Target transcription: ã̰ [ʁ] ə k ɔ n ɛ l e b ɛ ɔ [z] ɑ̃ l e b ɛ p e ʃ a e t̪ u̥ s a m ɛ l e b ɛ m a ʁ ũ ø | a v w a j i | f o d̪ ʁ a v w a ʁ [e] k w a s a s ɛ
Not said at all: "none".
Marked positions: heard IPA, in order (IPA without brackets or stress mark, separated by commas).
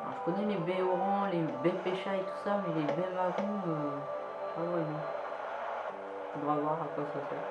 ʒ, ʁ, a